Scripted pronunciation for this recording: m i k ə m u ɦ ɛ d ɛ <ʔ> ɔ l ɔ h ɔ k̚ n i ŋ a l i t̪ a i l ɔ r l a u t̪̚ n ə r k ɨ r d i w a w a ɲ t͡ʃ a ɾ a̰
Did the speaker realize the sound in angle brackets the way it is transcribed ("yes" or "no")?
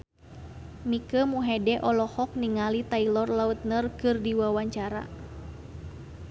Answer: yes